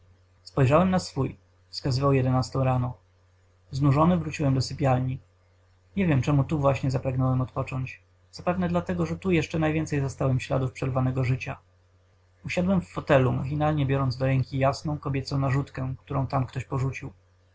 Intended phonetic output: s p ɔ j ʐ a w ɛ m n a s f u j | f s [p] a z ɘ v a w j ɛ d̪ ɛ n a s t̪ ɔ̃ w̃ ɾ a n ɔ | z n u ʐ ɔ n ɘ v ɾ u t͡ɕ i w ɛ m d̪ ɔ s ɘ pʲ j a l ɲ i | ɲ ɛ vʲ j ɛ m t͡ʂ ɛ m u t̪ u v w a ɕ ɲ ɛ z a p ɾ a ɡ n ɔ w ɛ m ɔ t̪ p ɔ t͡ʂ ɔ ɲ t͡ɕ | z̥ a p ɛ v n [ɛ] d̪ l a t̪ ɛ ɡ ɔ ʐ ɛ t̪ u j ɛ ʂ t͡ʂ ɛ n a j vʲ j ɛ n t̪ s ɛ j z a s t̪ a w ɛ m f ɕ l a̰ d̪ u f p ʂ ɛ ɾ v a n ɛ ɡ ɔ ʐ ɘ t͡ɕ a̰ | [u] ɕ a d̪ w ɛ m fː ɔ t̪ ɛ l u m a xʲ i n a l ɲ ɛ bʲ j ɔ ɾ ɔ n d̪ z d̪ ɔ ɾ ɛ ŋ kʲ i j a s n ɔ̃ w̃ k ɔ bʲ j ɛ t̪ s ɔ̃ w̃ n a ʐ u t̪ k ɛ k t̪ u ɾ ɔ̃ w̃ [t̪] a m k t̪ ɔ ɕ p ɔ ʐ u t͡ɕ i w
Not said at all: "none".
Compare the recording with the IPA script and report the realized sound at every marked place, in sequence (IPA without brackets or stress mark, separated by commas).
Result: k, ɛ, u, t̪